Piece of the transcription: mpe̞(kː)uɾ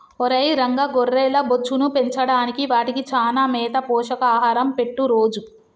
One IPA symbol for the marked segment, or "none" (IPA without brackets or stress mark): ʈː